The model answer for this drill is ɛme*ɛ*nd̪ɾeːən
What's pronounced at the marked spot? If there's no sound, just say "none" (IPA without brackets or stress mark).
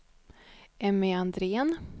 a